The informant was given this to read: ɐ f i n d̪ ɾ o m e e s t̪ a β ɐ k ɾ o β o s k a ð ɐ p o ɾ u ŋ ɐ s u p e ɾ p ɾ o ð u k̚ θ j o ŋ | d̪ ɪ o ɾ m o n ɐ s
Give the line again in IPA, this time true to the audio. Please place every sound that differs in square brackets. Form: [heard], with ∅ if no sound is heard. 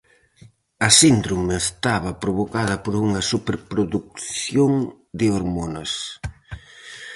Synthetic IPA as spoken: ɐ [s] i n d̪ ɾ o m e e s t̪ a β ɐ [p] ɾ o β o [∅] k a ð ɐ p o ɾ u ŋ ɐ s u p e ɾ p ɾ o ð u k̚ θ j o ŋ | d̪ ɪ o ɾ m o n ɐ s